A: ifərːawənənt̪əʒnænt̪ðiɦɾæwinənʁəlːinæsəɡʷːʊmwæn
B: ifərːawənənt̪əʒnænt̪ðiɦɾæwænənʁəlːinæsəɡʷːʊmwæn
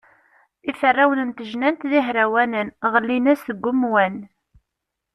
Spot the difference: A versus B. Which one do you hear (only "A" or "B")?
B